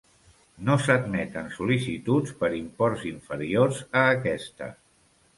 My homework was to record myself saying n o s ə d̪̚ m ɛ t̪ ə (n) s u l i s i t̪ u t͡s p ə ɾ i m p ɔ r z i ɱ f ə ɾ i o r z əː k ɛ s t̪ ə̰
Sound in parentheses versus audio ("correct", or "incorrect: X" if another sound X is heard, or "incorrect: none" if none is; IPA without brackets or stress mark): correct